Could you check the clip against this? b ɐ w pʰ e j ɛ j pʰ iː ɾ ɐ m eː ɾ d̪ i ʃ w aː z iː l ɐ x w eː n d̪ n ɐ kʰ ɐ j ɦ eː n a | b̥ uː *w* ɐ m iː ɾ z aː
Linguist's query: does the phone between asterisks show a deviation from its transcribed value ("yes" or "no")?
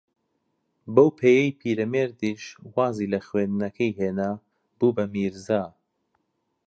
yes